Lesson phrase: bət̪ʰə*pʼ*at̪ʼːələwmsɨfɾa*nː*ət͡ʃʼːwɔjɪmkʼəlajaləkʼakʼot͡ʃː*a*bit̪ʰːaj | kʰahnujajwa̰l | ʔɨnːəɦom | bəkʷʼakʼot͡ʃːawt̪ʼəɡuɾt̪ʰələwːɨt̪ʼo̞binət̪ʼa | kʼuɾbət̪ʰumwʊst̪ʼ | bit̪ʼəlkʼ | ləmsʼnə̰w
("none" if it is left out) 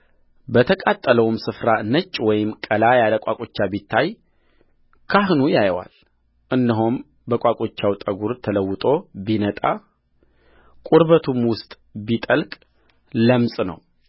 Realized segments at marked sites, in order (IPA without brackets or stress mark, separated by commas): kʼ, n, a